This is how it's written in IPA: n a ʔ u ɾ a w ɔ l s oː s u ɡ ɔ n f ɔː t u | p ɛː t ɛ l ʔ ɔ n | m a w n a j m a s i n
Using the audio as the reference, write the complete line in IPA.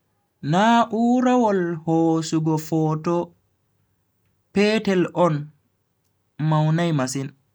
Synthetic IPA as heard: n a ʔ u ɾ a w ɔ l h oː s u ɡ ɔ f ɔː t ɔ | p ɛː t ɛ l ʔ ɔ n | m a w n a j m a s i n